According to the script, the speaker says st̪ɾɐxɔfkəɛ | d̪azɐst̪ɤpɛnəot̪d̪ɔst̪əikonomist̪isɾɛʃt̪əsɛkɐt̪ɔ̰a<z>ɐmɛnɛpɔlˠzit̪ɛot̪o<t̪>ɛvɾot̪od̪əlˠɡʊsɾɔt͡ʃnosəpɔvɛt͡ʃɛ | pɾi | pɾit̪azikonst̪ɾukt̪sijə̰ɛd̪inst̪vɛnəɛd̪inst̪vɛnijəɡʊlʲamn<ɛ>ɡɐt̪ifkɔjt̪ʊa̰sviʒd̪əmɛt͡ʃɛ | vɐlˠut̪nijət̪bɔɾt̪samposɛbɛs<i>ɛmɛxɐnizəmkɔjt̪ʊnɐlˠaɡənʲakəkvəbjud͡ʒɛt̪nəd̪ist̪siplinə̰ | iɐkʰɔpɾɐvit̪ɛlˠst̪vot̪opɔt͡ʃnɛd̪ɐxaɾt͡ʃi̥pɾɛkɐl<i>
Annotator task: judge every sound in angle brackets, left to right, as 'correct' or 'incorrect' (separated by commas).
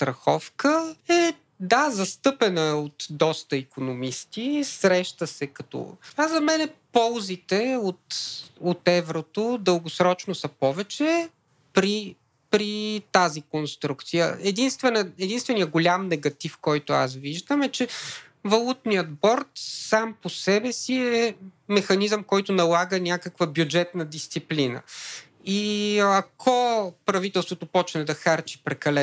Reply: correct, correct, correct, correct, incorrect